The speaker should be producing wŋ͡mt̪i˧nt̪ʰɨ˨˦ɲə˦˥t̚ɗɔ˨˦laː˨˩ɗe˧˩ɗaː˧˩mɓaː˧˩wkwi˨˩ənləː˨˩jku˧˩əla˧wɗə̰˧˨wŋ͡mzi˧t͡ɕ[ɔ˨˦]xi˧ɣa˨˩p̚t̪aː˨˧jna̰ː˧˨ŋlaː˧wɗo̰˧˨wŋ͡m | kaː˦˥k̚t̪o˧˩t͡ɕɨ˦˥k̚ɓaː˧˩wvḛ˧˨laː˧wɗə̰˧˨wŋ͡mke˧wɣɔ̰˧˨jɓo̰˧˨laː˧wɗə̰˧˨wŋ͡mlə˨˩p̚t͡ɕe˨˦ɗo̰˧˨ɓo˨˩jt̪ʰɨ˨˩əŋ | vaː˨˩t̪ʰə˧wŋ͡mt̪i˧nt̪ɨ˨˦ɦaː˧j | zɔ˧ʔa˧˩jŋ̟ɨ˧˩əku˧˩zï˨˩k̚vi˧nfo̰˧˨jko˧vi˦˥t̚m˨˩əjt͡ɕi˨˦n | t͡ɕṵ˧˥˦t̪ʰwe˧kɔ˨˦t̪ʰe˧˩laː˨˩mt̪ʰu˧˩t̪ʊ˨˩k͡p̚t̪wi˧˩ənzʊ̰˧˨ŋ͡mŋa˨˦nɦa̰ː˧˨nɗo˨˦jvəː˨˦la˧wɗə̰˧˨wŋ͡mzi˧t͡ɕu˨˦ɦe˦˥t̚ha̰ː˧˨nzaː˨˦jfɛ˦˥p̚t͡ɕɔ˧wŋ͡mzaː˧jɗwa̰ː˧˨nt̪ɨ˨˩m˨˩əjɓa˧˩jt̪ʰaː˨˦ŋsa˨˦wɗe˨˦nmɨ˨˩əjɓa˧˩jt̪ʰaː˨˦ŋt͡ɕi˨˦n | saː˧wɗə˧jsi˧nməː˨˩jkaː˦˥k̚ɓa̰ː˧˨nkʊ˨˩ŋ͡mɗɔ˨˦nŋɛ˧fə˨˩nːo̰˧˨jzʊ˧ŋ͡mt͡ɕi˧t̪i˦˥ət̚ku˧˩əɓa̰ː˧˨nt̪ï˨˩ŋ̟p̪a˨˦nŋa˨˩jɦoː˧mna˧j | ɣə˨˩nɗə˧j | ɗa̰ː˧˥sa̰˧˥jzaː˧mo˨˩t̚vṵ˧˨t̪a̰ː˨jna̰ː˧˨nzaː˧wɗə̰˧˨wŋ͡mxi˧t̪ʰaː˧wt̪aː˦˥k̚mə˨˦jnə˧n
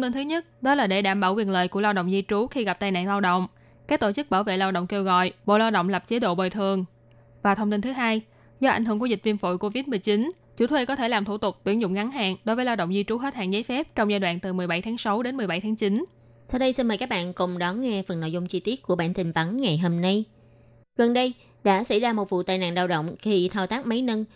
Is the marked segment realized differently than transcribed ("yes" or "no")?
yes